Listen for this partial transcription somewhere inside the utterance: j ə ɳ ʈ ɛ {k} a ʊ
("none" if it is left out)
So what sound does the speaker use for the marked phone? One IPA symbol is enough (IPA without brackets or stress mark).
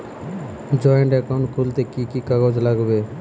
k